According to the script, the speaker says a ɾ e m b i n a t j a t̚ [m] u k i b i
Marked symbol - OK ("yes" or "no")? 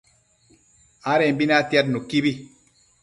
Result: no